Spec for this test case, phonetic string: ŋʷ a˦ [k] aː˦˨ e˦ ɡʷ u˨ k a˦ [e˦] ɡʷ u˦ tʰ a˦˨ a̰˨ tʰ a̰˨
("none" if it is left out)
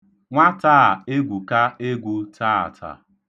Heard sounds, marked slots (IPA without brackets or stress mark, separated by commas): t, e˦